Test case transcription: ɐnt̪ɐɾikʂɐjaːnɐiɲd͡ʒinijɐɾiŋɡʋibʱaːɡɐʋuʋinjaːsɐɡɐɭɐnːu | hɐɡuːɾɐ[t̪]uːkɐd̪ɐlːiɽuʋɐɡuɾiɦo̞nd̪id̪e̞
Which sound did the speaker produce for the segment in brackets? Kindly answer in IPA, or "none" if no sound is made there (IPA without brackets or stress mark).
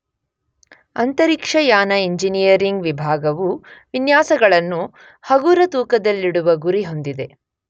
t̪